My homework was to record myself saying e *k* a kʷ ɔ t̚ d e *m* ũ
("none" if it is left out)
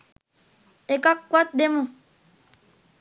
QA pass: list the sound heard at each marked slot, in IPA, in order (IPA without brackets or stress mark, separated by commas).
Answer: k, m